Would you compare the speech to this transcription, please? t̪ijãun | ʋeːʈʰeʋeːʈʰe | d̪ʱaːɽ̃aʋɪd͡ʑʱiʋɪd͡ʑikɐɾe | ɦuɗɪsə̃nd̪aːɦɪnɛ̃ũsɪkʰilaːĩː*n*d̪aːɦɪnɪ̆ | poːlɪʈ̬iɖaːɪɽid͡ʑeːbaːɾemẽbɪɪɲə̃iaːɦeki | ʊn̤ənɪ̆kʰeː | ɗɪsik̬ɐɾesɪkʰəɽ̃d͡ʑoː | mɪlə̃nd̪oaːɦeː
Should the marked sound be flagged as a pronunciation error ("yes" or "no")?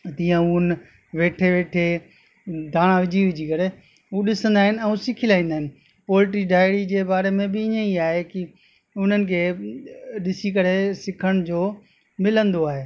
no